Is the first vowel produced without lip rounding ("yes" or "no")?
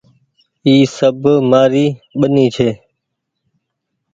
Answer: yes